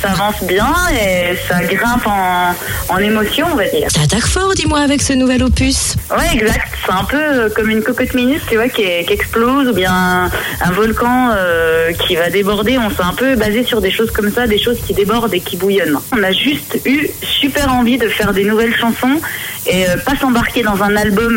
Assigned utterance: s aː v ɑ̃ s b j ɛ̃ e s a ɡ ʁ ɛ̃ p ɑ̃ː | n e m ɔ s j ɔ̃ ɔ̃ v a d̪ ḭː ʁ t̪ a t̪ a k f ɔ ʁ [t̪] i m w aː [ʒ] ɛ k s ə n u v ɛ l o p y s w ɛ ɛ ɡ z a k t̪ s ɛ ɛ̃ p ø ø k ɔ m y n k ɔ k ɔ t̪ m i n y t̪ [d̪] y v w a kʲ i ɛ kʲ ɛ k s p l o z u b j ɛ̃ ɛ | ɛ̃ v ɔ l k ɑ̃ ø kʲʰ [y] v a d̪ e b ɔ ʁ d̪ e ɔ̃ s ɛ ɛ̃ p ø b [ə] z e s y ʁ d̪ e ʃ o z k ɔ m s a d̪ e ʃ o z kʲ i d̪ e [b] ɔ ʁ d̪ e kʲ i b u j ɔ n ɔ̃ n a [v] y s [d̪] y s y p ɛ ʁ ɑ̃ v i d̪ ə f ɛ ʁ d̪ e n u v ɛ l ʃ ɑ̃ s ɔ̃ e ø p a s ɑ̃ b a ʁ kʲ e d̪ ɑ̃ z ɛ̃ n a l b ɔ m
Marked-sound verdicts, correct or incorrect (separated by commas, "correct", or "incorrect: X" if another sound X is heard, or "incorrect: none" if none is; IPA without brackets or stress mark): incorrect: d̪, incorrect: v, incorrect: t̪, incorrect: i, incorrect: a, correct, incorrect: ʒ, incorrect: t̪